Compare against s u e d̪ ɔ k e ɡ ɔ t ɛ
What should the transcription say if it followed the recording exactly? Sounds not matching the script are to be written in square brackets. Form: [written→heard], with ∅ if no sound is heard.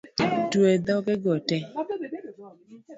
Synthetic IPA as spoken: [s→t] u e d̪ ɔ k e ɡ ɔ t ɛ